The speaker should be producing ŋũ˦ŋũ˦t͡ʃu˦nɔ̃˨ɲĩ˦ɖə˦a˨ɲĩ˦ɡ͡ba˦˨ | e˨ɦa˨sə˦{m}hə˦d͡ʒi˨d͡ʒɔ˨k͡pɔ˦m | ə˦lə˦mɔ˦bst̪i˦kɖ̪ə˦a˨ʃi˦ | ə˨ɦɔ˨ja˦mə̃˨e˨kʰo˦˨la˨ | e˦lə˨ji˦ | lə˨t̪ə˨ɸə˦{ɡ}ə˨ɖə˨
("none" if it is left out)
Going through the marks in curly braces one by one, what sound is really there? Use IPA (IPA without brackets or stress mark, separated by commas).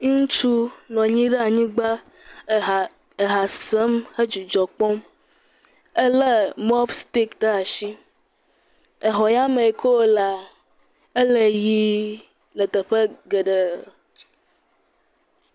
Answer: m, ɡ